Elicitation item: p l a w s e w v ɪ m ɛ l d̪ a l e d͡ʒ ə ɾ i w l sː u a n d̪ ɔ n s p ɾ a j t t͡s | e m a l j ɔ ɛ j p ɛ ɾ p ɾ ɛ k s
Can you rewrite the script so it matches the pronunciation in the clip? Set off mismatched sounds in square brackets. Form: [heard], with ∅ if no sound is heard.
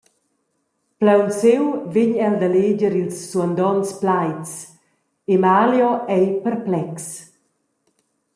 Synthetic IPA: p l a w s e w v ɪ [ɲ] ɛ l d̪ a l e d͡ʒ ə ɾ i [∅] l sː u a n d̪ ɔ n s p [l] a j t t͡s | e m a l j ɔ ɛ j p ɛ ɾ p [l] ɛ k s